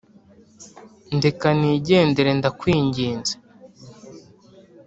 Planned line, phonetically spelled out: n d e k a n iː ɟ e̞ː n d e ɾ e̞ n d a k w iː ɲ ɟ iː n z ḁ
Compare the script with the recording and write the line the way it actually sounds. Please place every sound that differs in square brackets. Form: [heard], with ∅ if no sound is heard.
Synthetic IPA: n d e k a n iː ɟ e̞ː n d e ɾ e̞ n d a k w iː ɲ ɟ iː n z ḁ